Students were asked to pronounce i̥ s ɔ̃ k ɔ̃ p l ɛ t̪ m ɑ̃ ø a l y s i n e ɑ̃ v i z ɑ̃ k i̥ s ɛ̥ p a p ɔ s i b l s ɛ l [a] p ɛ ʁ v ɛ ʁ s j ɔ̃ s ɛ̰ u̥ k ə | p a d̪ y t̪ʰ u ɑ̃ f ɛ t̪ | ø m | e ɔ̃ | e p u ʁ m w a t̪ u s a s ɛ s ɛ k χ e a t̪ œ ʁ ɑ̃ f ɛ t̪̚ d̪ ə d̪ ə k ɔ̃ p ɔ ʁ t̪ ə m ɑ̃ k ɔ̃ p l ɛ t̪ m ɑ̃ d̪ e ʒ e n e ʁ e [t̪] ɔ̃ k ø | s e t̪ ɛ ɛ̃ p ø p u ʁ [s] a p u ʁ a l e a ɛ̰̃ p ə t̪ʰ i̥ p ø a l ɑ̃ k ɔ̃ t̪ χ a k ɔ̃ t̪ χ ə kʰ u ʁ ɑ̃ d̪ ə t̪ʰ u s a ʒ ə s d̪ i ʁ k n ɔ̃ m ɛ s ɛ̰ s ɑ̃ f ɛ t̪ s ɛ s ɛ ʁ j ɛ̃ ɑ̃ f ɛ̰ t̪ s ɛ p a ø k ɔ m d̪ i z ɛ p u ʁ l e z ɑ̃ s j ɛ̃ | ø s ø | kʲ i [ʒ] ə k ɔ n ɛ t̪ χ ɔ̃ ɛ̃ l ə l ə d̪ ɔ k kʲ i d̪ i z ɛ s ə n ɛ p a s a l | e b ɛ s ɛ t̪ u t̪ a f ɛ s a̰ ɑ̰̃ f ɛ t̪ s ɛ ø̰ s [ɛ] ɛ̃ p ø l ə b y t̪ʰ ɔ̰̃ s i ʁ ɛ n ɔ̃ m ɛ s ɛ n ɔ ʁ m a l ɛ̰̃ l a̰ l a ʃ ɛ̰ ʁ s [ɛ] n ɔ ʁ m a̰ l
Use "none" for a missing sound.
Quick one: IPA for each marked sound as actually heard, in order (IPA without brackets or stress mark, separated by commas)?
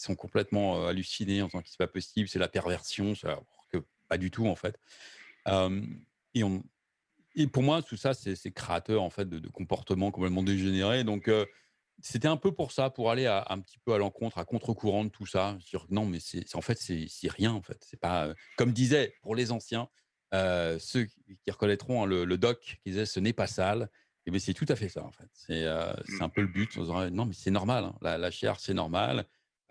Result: a, d̪, s, ʁ, ɛ, ɛ